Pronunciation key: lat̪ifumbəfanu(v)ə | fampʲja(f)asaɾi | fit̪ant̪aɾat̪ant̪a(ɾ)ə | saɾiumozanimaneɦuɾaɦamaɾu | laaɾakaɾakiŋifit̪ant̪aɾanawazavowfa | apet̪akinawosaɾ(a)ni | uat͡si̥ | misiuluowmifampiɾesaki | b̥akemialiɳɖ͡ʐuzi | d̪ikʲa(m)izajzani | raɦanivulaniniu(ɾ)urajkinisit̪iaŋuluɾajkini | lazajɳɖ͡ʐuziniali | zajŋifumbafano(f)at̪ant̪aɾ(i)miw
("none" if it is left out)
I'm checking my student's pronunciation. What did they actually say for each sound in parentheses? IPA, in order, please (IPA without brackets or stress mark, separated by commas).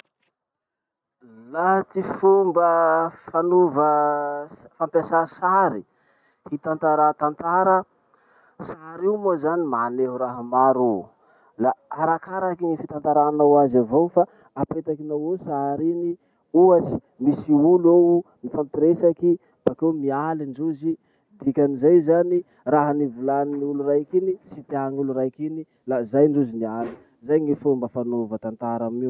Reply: v, s, ɾ, i, n, l, v, a